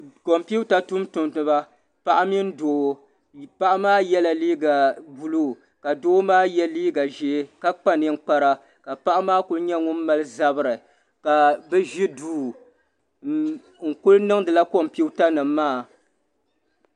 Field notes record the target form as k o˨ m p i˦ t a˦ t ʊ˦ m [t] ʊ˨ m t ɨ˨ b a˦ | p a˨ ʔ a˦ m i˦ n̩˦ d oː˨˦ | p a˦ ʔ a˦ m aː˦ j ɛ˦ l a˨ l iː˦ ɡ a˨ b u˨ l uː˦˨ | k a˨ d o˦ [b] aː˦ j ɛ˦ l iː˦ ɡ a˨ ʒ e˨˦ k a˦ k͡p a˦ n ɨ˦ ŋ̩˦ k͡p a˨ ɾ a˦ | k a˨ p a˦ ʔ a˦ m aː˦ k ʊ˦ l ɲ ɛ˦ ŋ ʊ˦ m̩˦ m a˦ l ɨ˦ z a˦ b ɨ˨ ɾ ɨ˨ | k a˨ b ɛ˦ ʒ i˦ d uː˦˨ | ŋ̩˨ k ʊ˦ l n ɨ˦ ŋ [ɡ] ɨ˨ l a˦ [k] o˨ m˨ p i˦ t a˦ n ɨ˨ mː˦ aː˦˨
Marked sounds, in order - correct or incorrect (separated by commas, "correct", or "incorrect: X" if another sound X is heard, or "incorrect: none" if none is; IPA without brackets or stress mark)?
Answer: correct, incorrect: m, incorrect: d, correct